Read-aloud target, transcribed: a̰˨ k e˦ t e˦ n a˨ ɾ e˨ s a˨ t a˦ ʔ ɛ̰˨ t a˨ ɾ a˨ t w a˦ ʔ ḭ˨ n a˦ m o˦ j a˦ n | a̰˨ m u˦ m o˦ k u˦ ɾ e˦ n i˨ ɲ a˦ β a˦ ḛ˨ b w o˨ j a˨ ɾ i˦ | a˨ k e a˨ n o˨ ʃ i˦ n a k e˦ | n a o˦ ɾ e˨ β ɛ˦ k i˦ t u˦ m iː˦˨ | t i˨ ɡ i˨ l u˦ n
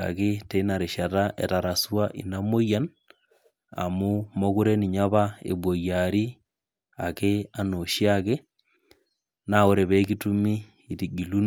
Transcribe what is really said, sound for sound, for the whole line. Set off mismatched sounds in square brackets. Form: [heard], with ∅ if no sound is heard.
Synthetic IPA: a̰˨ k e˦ t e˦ n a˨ ɾ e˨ [ʃ] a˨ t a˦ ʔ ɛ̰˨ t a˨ ɾ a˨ [s] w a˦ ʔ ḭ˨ n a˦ m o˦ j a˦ n | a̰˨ m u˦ m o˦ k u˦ ɾ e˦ n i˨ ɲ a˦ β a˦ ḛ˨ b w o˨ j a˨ ɾ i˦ | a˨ k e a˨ n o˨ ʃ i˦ [∅] a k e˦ | n a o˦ ɾ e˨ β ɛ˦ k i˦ t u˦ m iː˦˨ | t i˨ ɡ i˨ l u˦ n